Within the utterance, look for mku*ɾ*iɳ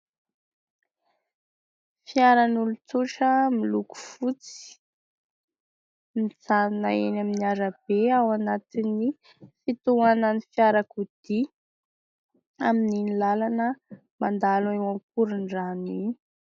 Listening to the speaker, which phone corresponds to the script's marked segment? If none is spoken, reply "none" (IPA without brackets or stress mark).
ɾ